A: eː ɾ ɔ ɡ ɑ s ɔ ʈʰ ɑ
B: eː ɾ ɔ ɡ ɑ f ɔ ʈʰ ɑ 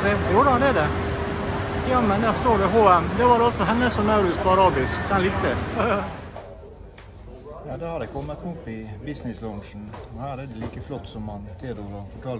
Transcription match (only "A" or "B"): B